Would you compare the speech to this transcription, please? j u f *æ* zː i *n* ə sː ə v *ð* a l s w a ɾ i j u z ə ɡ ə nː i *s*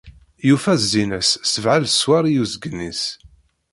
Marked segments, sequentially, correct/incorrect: correct, correct, incorrect, correct

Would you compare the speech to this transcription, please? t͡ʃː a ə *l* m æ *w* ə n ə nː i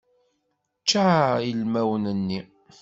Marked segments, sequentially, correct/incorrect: correct, correct

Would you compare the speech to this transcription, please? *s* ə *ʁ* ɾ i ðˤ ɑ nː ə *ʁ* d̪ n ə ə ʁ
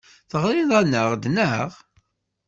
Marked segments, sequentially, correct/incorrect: incorrect, correct, correct

